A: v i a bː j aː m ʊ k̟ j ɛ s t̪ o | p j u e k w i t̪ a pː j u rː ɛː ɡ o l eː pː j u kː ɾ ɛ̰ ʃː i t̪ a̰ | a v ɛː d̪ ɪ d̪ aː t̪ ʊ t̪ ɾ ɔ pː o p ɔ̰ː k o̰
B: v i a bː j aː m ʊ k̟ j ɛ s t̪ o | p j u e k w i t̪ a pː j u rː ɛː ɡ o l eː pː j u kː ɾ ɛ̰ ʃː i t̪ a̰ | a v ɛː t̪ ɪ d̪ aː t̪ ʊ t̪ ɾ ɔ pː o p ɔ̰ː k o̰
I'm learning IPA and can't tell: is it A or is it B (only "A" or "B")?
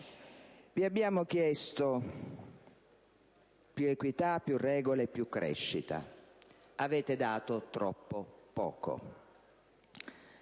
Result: B